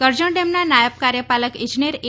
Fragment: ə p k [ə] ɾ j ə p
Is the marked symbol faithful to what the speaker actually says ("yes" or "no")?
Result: no